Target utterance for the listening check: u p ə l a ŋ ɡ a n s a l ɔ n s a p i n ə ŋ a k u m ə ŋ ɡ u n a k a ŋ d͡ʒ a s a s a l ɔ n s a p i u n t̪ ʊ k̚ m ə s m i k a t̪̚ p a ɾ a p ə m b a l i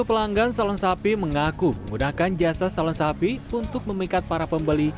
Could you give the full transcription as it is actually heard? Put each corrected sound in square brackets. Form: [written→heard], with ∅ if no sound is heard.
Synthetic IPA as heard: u p ə l a ŋ ɡ a n s a l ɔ n s a p i [n→m] ə ŋ a k u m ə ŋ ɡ u n a k a [ŋ→n] d͡ʒ a s a s a l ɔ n s a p i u n t̪ ʊ k̚ m ə [s→∅] m i k a t̪̚ p a ɾ a p ə m b [a→ə] l i